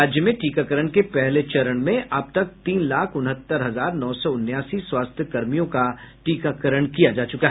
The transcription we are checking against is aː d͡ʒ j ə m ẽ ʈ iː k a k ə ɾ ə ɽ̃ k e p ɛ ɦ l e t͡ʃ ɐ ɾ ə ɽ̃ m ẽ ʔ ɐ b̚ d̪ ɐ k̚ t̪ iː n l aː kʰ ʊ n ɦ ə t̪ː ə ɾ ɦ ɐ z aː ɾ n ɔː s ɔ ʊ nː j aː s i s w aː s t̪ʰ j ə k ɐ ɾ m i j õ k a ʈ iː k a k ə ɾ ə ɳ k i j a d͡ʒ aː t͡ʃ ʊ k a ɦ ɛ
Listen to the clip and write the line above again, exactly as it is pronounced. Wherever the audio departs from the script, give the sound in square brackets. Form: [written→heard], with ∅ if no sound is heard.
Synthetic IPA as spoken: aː d͡ʒ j ə m ẽ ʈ iː k a k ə ɾ ə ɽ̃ k e p ɛ ɦ l e t͡ʃ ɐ ɾ ə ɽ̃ m ẽ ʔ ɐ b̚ [d̪→t̪] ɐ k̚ t̪ iː n l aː kʰ ʊ n ɦ ə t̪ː ə ɾ ɦ ɐ z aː ɾ n ɔː s ɔ ʊ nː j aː s i s w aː s t̪ʰ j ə k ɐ ɾ m i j õ k a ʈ iː k a k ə ɾ ə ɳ k i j a d͡ʒ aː t͡ʃ ʊ k a ɦ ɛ